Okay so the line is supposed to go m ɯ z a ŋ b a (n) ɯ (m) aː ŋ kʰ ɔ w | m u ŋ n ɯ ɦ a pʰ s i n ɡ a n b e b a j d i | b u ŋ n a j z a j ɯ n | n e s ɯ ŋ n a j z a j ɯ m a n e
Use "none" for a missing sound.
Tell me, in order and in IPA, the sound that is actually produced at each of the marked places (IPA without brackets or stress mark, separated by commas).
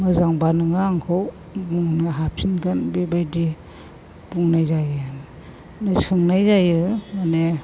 n, ŋ